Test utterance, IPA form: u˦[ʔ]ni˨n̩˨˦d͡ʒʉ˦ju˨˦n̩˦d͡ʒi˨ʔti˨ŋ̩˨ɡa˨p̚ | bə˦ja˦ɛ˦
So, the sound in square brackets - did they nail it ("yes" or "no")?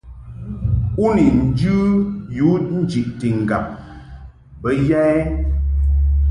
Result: no